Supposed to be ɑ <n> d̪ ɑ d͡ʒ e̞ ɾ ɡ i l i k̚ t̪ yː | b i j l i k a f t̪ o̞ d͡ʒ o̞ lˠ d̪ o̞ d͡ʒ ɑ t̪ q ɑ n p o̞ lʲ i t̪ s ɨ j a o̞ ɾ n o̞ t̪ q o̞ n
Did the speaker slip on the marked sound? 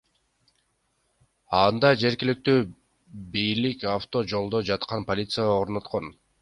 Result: no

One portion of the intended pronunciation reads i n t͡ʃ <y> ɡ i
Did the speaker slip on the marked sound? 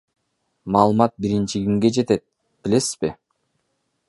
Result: yes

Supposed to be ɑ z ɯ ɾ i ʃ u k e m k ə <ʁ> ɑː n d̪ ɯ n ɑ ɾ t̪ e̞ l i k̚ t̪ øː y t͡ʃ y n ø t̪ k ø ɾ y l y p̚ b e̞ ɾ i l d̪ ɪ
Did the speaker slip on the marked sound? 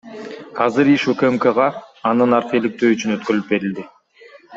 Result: no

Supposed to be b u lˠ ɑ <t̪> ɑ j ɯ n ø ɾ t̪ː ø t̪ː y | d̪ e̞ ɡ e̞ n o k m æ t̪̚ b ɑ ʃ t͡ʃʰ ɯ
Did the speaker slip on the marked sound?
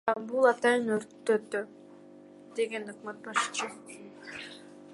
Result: no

